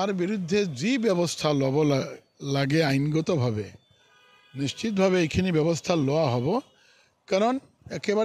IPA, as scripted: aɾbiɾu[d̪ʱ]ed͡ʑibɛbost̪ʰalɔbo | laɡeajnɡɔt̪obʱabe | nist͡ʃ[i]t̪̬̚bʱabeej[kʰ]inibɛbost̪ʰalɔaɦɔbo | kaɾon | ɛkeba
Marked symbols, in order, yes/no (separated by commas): no, yes, yes